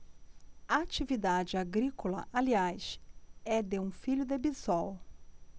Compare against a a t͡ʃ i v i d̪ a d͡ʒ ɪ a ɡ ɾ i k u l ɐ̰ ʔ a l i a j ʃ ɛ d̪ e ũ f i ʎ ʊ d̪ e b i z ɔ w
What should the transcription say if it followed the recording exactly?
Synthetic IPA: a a t͡ʃ i v i d̪ a d͡ʒ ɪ a ɡ ɾ i k o l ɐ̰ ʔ a l i a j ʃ ɛ d̪ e ũ f i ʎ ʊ d̪ e b i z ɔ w